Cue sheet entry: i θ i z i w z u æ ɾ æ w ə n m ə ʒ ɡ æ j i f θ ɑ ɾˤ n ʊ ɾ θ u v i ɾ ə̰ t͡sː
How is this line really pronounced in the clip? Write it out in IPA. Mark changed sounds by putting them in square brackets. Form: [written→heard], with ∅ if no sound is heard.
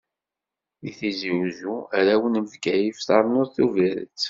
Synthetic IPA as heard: i θ i z i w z u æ ɾ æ w ə n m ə [ʒ→v] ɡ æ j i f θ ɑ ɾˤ n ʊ ɾ θ u v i ɾ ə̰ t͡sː